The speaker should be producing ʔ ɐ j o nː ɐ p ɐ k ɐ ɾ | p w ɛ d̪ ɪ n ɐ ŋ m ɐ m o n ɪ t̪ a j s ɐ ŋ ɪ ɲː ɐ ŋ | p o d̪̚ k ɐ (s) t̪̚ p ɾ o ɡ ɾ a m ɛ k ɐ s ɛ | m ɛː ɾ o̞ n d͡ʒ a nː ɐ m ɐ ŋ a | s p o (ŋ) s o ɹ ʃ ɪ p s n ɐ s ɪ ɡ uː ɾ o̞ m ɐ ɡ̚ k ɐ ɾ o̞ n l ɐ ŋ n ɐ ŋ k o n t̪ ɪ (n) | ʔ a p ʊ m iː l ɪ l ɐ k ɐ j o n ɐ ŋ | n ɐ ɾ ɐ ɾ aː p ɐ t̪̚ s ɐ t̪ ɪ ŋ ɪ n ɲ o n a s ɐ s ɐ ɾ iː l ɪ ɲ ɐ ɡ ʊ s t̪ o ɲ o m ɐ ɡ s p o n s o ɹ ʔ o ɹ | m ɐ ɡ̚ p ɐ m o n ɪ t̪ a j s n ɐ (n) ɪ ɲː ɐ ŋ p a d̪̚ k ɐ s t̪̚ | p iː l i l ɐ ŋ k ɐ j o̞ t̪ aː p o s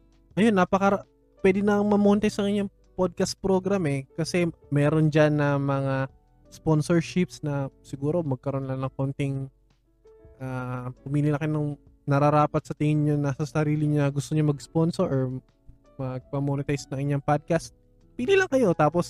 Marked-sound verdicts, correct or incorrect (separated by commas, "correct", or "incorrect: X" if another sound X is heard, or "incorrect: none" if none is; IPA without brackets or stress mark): correct, incorrect: n, incorrect: ŋ, incorrect: ŋ